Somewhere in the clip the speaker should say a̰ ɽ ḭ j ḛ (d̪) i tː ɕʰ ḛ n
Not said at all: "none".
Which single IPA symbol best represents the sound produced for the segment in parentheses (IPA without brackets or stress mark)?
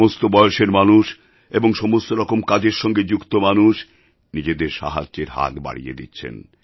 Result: d̪